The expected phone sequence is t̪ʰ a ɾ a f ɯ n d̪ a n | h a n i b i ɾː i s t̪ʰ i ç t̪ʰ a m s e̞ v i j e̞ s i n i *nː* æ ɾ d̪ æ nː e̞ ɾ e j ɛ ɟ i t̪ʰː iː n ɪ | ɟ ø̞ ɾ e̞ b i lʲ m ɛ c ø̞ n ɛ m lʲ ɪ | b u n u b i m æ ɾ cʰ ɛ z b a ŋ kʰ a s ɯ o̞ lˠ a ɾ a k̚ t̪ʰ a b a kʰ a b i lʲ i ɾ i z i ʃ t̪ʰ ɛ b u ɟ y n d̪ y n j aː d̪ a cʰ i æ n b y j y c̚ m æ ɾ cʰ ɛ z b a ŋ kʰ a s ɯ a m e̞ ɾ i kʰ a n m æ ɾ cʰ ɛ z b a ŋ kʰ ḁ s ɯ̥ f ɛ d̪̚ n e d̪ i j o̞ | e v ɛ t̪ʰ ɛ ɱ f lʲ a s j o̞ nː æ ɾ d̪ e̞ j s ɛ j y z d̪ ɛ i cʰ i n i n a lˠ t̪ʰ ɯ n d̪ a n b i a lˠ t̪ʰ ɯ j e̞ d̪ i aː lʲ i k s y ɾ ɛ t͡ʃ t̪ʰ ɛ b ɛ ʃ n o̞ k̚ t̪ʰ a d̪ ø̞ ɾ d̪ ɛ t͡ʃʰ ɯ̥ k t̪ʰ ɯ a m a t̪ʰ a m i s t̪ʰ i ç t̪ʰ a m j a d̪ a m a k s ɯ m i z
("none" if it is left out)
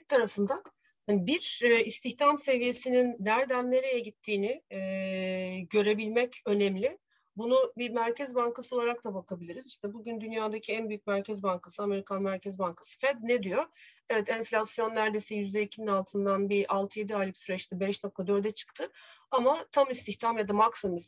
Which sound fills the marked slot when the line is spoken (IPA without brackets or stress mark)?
nː